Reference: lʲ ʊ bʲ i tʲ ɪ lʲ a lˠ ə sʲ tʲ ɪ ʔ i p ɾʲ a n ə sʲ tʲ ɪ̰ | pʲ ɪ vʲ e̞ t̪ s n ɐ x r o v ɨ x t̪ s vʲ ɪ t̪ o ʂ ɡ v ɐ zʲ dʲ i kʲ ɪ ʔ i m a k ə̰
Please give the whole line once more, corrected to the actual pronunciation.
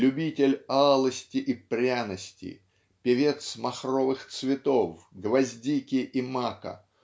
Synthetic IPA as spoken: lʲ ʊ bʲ i tʲ ɪ lʲ a lˠ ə sʲ tʲ ɪ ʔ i p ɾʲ a n ə sʲ tʲ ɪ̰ | pʲ ɪ vʲ e̞ t̪ s m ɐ x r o v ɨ x t̪ s vʲ ɪ t̪ o f ɡ v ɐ zʲ dʲ i kʲ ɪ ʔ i m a k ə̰

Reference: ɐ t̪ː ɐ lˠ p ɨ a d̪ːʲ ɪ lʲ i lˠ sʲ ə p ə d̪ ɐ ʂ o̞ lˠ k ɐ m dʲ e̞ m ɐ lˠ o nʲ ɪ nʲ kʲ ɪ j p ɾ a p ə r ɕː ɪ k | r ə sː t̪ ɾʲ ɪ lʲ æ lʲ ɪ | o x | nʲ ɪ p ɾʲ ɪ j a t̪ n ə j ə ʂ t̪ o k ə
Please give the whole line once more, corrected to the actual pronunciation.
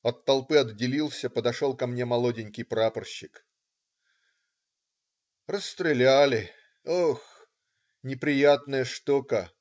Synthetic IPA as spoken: ɐ t̪ː ɐ lˠ p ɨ ɐ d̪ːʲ ɪ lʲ i lˠ sʲ ə p ə d̪ ɐ ʂ o̞ lˠ k ɐ m nʲ e̞ m ɐ lˠ o dʲ ɪ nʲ kʲ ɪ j p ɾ a p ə r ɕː ɪ k | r ə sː t̪ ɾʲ ɪ lʲ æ lʲ ɪ | o x | nʲ ɪ p ɾʲ ɪ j a t̪ n ə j ə ʂ t̪ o k ə

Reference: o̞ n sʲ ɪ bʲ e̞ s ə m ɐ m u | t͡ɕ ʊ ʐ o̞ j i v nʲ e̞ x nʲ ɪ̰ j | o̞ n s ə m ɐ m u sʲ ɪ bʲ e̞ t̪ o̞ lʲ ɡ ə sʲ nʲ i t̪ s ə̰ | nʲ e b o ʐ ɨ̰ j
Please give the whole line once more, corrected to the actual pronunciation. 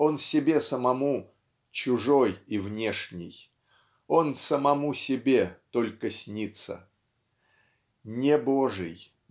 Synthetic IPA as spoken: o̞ n sʲ ɪ bʲ e̞ s ə m ɐ m u | t͡ɕ ʊ ʐ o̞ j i v nʲ e̞ ʂ nʲ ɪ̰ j | o̞ n s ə m ɐ m u sʲ ɪ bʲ e̞ t̪ o̞ lʲ k ə sʲ nʲ i t̪ s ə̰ | nʲ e b o ʐ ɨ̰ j

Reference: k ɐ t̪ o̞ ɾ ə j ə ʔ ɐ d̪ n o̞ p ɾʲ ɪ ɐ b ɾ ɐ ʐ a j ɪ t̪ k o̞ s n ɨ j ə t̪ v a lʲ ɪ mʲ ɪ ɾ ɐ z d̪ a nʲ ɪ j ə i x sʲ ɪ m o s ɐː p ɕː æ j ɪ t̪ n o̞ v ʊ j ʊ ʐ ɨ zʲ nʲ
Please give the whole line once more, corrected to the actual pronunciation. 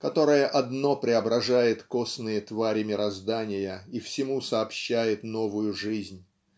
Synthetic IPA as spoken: k ɐ t̪ o̞ ɾ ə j ə ʔ ɐ d̪ n o̞ p ɾʲ ɪ ɐ b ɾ ɐ ʐ a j ɪ t̪ k o̞ s n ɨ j ə t̪ v a ɾʲ ɪ mʲ ɪ ɾ ɐ z d̪ a nʲ ɪ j ə i f sʲ ɪ m u s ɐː p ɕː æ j ɪ t̪ n o̞ v ʊ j ʊ ʐ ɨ zʲ nʲ

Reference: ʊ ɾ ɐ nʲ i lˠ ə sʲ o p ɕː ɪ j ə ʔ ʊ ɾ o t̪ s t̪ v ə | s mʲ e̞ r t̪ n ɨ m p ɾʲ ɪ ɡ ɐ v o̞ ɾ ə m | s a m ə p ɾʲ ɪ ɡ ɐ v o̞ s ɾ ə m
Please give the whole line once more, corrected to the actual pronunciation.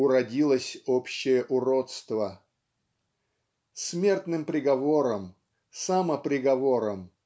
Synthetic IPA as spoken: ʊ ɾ ɐ dʲ i lˠ ə sʲ o p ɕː ɪ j ə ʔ ʊ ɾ o t̪ s t̪ v ə | s mʲ e̞ r t̪ n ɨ m p ɾʲ ɪ ɡ ɐ v o̞ ɾ ə m | s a m ə p ɾʲ ɪ ɡ ɐ v o̞ ɾ ə m

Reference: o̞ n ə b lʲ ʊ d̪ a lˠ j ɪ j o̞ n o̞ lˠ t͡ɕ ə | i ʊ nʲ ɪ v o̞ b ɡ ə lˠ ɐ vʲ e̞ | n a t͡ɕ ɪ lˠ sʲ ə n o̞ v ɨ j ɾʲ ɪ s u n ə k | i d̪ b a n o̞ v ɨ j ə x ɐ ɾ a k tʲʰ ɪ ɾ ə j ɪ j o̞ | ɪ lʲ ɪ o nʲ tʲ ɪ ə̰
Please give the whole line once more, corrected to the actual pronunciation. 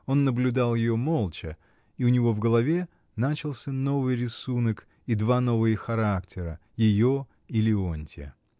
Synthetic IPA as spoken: o̞ nː ə b lʲ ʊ d̪ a lˠ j ɪ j o̞ m o̞ lˠ t͡ɕ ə | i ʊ nʲ ɪ v o̞ v ɡ ə lˠ ɐ vʲ e̞ | n a t͡ɕ ɪ lˠ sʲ ə n o̞ v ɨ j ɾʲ ɪ s u n ə k | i d̪ v a n o̞ v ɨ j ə x ɐ ɾ a k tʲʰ ɪ ɾ ə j ɪ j o̞ | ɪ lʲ ɪ o nʲ tʲ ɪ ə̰

